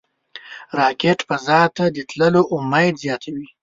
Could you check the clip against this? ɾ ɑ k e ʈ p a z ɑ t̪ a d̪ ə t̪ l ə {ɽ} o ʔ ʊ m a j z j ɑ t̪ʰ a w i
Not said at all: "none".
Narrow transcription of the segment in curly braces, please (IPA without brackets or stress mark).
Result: l